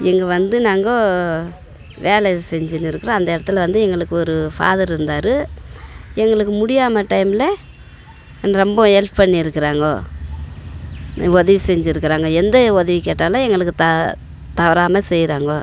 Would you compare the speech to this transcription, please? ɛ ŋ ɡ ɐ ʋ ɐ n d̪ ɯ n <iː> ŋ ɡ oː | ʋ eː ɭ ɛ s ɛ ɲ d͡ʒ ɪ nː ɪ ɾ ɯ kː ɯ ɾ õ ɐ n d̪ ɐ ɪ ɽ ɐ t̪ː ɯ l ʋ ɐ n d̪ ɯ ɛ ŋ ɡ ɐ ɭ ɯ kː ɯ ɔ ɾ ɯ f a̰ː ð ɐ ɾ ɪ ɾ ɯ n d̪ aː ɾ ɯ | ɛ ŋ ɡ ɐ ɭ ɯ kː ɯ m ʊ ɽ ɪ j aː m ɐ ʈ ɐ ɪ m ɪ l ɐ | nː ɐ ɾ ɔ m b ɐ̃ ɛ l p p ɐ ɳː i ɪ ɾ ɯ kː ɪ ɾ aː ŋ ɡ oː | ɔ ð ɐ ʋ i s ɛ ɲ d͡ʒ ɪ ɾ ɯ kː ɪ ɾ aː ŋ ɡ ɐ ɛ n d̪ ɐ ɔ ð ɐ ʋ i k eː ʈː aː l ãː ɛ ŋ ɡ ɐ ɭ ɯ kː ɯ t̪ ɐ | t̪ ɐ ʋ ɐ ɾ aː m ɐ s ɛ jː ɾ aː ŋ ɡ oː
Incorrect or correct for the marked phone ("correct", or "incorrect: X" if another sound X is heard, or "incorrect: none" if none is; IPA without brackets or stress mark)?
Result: incorrect: aː